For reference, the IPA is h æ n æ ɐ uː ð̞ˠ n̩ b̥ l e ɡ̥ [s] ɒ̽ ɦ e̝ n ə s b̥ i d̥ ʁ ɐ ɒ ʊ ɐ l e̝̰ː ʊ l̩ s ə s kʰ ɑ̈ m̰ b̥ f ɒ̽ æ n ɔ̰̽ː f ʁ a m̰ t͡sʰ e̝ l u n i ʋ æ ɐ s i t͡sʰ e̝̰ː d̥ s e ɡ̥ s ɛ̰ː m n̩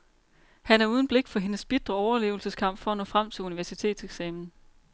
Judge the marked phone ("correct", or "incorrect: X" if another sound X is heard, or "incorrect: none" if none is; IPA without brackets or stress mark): incorrect: f